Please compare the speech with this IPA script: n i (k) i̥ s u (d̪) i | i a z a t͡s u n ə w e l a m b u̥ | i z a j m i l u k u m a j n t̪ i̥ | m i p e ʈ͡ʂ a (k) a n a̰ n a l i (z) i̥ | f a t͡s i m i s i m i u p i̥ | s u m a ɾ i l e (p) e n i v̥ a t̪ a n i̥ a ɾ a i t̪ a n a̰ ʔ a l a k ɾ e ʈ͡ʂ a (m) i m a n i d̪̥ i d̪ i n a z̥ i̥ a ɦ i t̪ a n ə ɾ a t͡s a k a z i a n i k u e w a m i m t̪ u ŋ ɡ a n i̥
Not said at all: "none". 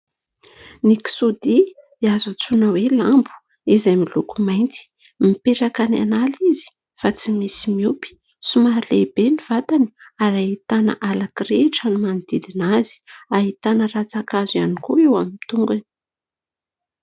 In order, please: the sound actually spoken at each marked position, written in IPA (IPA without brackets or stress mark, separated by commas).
k, d̪, k, z, b, n